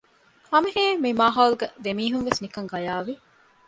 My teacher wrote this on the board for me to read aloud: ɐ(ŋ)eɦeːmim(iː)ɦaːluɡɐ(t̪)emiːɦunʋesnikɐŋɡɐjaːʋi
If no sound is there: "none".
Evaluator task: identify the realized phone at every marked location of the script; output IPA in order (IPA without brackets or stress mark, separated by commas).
m, aː, d̪